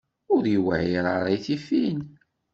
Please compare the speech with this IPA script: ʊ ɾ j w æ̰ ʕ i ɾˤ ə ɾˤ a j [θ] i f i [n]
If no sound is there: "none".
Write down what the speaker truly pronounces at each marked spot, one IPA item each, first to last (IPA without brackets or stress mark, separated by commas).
θ, n